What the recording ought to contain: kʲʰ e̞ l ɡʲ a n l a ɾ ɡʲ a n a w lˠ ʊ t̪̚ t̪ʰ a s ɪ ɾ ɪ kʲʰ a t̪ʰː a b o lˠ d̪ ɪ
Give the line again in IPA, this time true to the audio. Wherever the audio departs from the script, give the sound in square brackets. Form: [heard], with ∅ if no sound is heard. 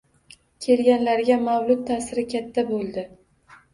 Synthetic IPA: kʲʰ e̞ l ɡʲ a n l a ɾ ɡʲ a [m] a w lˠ ʊ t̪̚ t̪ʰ a s ɪ ɾ ɪ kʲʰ a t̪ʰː a b o lˠ d̪ ɪ